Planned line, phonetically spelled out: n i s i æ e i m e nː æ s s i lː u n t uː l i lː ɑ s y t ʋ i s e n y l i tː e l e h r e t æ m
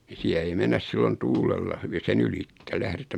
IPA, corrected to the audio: n i s i æ e i m e nː æ s s i lː o n t uː l e lː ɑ h y ʋ i s e n y l i tː e l æ h r e t æ m